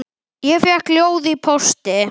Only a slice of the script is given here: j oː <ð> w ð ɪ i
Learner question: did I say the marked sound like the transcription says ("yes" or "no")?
no